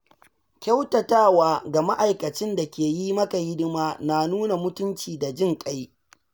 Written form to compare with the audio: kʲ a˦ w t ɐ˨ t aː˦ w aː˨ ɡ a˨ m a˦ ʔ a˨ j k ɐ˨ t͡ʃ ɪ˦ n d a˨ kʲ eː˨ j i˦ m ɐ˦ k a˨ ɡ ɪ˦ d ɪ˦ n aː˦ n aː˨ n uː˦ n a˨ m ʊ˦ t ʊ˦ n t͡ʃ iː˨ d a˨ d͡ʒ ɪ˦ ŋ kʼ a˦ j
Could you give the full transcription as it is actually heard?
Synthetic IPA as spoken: kʲ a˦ w t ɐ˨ t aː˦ w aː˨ ɡ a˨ m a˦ ʔ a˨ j k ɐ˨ t͡ʃ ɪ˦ n d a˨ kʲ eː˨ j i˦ m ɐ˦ k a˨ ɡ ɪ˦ d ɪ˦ m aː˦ n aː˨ n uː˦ n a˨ m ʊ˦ t ʊ˦ n t͡ʃ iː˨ d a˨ d͡ʒ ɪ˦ ŋ kʼ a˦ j